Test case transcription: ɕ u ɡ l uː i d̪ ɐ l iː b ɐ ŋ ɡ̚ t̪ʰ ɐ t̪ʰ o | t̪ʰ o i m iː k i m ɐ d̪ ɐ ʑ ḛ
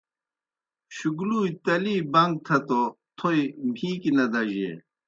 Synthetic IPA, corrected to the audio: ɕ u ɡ l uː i t̪ ɐ l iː b ɐ ŋ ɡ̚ t̪ʰ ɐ t̪ o | t̪ʰ o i m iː k i n ɐ d̪ ɐ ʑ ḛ